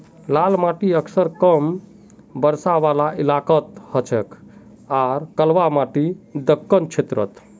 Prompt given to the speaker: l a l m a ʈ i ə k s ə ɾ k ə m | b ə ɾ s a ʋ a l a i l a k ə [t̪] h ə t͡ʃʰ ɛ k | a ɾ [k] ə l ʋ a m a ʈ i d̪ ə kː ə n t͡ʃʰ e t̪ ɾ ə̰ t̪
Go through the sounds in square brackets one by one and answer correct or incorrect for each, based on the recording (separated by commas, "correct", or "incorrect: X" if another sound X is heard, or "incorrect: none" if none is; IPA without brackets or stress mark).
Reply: correct, correct